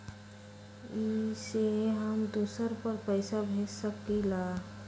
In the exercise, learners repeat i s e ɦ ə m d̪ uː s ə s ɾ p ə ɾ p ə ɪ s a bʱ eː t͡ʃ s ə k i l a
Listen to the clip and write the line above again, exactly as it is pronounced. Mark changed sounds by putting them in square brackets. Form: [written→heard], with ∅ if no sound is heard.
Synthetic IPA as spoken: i s e ɦ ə m d̪ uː s ə [s→∅] ɾ p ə ɾ p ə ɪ s a bʱ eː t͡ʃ s ə k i l a